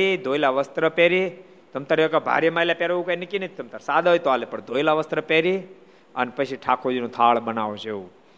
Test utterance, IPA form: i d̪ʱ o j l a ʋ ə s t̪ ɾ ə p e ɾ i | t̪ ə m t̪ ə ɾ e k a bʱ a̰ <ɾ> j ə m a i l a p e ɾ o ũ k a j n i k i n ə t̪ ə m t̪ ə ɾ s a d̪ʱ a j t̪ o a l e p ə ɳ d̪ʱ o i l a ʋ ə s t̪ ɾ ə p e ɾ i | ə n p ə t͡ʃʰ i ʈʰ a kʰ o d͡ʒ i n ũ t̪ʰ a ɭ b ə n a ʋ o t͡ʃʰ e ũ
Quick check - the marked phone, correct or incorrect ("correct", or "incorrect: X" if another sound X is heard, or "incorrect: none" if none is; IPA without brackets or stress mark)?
correct